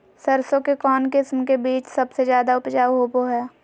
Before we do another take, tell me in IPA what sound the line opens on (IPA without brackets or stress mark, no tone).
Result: s